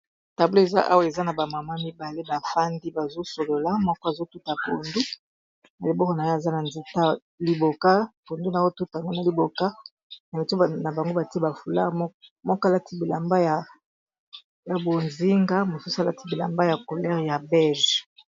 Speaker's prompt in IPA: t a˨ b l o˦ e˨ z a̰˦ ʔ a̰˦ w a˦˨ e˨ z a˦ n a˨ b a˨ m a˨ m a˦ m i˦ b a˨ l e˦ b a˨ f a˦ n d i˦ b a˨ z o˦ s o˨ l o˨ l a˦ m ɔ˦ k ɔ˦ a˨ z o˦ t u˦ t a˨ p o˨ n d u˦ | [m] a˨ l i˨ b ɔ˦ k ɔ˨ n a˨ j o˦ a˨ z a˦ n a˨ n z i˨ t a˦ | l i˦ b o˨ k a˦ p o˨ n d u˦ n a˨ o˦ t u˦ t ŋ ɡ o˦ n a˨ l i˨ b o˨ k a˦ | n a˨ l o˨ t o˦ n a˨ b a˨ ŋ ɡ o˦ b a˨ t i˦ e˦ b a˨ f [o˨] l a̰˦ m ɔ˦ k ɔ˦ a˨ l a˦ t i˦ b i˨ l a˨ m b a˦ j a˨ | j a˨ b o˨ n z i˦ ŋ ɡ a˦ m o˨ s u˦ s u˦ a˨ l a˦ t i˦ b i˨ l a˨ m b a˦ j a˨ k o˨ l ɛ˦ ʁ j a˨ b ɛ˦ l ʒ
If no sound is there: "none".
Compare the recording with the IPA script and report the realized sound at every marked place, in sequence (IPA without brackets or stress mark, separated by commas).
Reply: n, u˨